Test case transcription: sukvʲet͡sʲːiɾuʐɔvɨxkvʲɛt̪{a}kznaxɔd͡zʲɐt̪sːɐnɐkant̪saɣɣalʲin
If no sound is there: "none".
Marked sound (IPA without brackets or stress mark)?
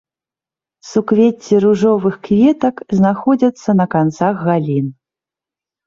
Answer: ɐ